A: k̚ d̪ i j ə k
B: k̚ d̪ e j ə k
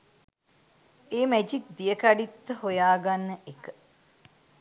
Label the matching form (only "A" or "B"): A